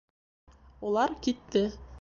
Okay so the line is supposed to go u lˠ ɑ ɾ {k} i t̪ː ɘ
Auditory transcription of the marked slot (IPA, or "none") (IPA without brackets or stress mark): k